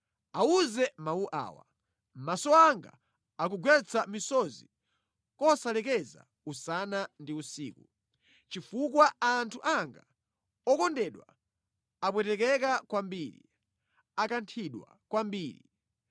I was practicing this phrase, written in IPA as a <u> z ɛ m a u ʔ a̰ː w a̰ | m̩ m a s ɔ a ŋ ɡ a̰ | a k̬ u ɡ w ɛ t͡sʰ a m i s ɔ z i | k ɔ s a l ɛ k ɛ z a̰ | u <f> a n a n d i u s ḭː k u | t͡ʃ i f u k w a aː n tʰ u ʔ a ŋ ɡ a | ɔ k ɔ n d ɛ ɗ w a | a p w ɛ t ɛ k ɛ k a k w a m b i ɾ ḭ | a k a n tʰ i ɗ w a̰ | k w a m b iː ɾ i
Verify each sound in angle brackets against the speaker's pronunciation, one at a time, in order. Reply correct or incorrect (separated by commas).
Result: correct, incorrect